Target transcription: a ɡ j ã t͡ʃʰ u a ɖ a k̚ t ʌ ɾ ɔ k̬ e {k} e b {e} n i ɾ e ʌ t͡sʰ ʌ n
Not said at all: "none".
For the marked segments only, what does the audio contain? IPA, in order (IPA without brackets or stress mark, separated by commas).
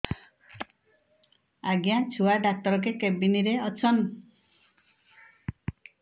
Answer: k, i